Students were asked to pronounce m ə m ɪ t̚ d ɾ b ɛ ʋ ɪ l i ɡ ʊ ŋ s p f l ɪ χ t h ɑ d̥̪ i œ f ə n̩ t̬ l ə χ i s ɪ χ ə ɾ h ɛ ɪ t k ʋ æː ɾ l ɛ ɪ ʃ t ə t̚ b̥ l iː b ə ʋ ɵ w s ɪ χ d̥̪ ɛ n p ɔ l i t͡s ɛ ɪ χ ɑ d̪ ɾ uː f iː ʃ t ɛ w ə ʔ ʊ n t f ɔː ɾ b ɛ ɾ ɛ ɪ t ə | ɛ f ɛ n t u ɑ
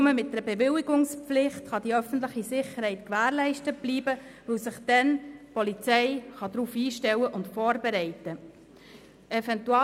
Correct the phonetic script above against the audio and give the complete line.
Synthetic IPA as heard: m ə m ɪ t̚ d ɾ b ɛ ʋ ɪ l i ɡ ʊ ŋ s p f l ɪ χ t χ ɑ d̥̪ i œ f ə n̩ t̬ l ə χ i s ɪ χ ə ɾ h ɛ ɪ t k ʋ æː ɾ l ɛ ɪ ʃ t ə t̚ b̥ l iː b ə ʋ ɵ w s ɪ χ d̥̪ ɛ n p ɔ l i t͡s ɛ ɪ χ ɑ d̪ ɾ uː f iː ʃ t ɛ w ə ʔ ʊ n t f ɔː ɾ b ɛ ɾ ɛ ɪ t ə | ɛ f ɛ n t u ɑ